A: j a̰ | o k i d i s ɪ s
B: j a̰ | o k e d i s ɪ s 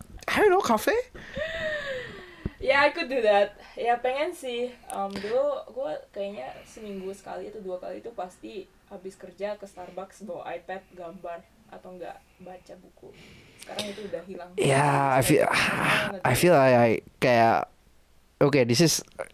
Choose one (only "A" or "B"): B